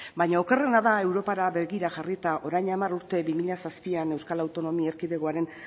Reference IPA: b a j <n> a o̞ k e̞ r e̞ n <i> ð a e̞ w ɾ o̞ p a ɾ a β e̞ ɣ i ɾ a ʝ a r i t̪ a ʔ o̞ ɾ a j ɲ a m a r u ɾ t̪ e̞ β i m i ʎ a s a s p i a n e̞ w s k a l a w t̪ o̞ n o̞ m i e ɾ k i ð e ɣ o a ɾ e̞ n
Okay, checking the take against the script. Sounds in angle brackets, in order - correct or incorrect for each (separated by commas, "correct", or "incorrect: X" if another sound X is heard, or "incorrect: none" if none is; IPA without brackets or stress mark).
incorrect: ɲ, incorrect: a